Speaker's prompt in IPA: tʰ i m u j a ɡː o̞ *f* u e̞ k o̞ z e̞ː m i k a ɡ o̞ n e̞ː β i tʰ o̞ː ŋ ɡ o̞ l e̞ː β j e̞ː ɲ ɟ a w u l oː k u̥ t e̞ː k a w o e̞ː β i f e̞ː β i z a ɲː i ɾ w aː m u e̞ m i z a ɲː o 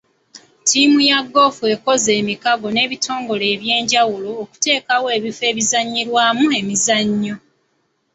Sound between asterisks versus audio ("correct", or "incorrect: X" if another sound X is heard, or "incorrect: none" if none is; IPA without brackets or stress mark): correct